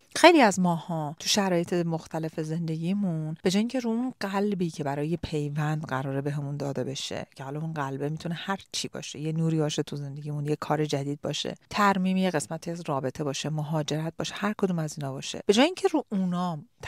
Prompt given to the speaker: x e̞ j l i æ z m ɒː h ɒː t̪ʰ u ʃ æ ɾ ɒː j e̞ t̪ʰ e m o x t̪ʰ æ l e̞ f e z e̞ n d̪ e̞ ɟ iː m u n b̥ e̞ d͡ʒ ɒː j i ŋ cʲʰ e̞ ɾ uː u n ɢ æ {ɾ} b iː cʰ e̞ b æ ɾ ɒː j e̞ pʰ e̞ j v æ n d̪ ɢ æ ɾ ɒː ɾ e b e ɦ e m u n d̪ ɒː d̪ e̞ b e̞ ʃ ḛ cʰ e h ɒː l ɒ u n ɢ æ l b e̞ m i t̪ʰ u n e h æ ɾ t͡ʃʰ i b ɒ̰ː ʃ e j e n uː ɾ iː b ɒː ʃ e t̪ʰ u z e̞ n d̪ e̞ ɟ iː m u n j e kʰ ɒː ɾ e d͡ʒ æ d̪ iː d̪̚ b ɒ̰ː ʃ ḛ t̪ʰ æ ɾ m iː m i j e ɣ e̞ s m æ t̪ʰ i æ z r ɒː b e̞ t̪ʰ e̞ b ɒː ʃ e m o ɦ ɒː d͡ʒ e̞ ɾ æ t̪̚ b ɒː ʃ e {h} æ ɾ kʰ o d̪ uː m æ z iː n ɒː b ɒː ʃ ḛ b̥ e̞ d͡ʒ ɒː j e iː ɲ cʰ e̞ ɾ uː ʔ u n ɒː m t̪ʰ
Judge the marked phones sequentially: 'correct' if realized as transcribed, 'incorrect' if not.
incorrect: l, correct

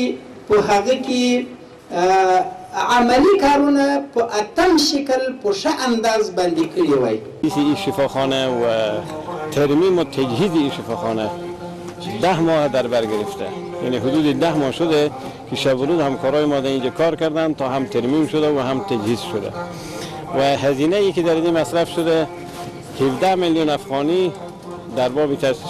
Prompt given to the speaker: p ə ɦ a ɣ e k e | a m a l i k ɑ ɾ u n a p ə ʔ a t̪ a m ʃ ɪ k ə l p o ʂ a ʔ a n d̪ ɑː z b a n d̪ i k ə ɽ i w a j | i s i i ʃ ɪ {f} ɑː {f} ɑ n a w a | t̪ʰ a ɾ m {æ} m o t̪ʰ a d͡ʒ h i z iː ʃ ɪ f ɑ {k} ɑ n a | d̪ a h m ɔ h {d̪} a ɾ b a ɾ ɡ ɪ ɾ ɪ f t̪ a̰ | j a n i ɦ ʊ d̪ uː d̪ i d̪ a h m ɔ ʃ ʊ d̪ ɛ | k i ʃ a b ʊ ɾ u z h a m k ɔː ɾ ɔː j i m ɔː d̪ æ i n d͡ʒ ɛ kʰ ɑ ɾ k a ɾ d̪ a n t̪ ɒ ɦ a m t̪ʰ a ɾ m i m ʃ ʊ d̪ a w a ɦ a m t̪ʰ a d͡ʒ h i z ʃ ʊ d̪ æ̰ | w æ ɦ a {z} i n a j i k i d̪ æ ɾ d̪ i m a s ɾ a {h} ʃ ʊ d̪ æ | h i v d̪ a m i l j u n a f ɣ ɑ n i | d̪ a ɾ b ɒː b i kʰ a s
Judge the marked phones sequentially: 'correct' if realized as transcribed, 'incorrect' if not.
correct, incorrect: x, incorrect: i, incorrect: x, correct, correct, incorrect: f

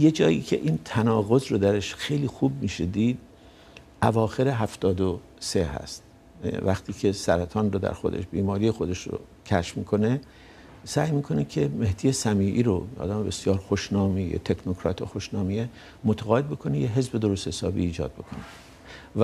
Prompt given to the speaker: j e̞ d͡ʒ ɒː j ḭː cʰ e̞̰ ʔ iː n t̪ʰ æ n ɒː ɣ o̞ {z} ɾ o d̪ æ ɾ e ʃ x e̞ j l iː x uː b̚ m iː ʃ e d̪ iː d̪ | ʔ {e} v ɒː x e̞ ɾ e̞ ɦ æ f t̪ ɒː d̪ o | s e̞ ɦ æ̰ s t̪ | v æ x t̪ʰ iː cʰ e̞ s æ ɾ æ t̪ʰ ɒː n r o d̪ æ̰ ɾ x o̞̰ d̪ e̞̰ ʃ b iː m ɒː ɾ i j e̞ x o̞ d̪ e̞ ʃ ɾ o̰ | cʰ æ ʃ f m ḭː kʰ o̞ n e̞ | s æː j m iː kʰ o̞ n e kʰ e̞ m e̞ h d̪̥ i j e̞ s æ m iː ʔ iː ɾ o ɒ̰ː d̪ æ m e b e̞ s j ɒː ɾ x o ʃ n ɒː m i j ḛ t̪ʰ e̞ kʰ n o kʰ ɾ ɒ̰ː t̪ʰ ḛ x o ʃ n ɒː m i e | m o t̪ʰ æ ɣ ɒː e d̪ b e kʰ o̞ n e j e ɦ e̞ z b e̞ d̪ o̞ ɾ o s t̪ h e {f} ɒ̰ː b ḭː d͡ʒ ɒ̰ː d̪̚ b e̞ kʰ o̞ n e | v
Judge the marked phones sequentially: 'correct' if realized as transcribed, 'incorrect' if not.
correct, incorrect: æ, incorrect: s

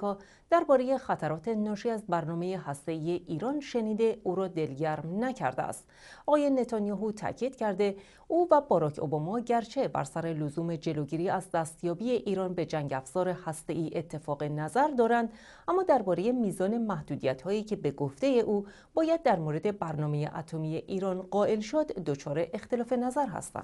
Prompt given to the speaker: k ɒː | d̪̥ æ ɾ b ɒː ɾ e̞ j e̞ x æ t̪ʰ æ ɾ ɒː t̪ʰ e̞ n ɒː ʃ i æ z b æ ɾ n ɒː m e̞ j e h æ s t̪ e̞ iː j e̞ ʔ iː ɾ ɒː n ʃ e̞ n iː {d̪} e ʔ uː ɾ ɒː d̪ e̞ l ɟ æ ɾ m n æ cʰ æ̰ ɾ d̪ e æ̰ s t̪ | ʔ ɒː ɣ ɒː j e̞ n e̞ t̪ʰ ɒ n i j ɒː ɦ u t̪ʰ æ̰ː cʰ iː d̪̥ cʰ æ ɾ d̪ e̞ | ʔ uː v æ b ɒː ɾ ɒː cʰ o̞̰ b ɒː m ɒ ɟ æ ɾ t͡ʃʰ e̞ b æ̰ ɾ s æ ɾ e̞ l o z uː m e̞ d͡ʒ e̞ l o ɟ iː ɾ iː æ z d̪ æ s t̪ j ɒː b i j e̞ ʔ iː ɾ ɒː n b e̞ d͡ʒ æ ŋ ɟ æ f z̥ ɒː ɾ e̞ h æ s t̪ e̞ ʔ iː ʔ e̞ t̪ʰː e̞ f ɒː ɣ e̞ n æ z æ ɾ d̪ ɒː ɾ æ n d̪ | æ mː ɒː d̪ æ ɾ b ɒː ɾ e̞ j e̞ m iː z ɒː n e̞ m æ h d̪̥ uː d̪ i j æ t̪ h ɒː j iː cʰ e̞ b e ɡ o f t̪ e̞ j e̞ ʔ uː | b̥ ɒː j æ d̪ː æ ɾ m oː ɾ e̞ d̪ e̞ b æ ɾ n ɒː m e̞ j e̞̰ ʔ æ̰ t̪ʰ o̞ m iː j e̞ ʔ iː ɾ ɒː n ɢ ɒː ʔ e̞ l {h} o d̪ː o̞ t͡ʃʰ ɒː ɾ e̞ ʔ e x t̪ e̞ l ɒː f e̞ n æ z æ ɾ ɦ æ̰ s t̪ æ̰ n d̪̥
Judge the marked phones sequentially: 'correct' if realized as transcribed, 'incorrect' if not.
correct, incorrect: ʃ

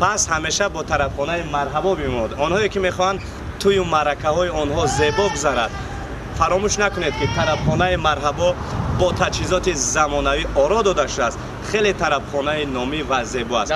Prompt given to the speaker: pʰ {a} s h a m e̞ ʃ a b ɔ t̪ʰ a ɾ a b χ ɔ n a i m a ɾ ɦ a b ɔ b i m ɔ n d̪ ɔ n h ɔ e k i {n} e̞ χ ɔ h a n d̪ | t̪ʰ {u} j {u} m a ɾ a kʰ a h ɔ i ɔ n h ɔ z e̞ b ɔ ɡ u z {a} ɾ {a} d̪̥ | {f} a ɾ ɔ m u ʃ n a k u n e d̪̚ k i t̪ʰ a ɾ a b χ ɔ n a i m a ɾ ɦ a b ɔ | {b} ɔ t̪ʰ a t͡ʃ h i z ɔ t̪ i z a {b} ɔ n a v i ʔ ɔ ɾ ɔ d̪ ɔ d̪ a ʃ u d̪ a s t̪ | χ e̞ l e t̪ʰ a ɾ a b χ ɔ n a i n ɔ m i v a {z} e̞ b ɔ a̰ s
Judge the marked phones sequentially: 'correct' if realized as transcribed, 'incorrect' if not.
correct, incorrect: m, correct, correct, correct, correct, correct, correct, incorrect: m, correct

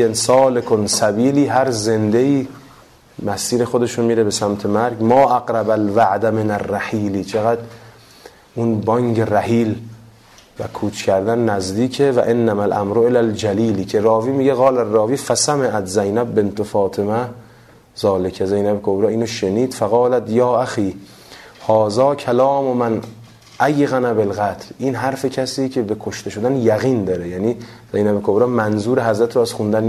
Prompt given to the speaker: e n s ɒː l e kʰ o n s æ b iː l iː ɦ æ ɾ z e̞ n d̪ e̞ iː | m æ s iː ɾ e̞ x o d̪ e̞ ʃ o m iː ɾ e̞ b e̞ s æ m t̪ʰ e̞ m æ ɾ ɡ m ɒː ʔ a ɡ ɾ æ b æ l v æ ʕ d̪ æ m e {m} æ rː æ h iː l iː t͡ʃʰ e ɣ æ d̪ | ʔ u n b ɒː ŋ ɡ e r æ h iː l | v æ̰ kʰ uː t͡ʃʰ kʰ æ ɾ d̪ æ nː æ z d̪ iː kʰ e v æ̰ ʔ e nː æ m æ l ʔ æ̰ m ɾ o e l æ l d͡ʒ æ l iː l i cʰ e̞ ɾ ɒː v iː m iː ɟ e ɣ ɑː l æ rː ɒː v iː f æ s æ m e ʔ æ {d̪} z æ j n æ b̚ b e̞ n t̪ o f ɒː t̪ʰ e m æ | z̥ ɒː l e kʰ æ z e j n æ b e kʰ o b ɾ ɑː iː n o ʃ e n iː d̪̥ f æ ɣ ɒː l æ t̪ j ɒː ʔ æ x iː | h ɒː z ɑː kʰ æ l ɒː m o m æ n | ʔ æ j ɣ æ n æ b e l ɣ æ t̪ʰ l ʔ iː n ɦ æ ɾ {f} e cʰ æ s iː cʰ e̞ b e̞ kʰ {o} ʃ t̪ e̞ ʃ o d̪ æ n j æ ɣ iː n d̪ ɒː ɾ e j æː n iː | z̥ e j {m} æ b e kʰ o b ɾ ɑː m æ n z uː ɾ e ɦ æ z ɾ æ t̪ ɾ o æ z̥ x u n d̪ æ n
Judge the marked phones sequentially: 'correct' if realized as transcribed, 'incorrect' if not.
incorrect: n, incorrect: t̪, correct, correct, incorrect: n

